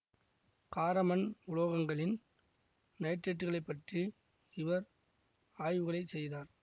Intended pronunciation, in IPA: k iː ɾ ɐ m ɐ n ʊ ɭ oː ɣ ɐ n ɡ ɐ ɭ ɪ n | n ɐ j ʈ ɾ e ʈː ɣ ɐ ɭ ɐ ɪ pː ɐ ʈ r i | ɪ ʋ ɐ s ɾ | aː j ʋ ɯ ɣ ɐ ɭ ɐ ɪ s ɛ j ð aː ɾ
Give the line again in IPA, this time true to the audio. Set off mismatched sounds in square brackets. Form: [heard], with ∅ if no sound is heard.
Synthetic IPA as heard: k [aː] ɾ ɐ m ɐ n ʊ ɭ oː ɣ ɐ [ŋ] ɡ ɐ ɭ ɪ n | n ɐ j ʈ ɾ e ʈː ɣ ɐ ɭ ɐ ɪ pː ɐ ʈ r i | ɪ ʋ ɐ [∅] ɾ | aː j ʋ ɯ ɣ ɐ ɭ ɐ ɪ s ɛ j ð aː ɾ